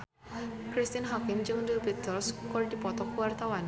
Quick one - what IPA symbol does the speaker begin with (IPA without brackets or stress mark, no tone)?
k